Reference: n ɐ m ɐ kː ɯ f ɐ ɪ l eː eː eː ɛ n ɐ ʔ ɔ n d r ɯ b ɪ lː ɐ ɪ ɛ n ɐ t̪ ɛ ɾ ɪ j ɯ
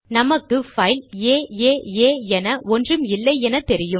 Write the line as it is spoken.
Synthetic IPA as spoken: n ɐ m ɐ kː ɯ f ɐ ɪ l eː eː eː ɛ n ɐ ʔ ɔ n d r ɯ m ɪ lː ɐ ɪ ɛ n ɐ t̪ ɛ ɾ ɪ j ɯ

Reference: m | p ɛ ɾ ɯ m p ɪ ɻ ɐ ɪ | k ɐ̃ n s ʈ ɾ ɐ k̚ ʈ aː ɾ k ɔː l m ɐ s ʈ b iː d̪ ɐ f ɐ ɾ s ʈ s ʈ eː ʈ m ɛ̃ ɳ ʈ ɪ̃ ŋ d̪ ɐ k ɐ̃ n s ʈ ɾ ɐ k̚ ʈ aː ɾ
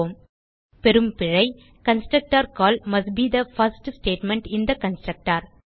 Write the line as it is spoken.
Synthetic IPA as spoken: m | p ɛ ɾ ɯ m p ɪ ɻ ɐ ɪ | k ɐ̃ n s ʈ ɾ ɐ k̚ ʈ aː ɾ k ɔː l m ɐ s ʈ b iː d̪ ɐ f ɐ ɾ s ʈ s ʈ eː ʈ m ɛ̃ ɳ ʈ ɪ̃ n d̪ ɐ k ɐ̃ n s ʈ ɾ ɐ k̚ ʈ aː ɾ

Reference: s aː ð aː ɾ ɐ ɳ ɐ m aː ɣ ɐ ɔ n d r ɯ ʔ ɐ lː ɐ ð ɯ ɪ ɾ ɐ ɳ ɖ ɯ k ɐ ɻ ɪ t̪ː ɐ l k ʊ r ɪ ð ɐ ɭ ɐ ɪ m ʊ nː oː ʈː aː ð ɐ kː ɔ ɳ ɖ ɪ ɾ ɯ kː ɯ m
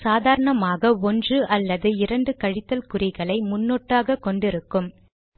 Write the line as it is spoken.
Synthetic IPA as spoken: s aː ð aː ɾ ɐ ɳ ɐ m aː ɣ ɐ ɔ n d r ɯ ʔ ɐ lː ɐ ð ɯ ɪ ɾ ɐ ɳ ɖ ɯ k ɐ ɻ ɪ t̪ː ɐ l k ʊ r ɪ ɣ ɐ ɭ ɐ ɪ m ʊ nː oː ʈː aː ɣ ɐ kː ɔ ɳ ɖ ɪ ɾ ɯ kː ɯ m

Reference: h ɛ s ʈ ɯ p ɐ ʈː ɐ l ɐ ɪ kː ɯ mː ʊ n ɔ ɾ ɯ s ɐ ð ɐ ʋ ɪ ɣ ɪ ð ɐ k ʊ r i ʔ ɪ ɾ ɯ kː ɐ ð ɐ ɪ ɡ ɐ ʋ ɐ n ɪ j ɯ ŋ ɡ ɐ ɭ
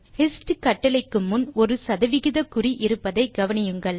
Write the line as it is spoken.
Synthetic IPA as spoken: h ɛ s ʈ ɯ k ɐ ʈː ɐ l ɐ ɪ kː ɯ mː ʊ n ɔ ɾ ɯ s ɐ ð ɐ ʋ ɪ ɣ ɪ ð ɐ k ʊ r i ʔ ɪ ɾ ɯ pː ɐ ð ɐ ɪ ɡ ɐ ʋ ɐ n ɪ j ɯ ŋ ɡ ɐ ɭ

